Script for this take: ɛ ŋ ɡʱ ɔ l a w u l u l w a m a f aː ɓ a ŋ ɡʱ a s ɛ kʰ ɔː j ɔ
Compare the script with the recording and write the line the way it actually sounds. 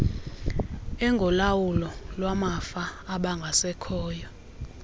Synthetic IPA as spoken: ɛ ŋ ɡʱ ɔ l a w u l ɔ l w a m a f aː ɓ a ŋ ɡʱ a s ɛ kʰ ɔː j ɔ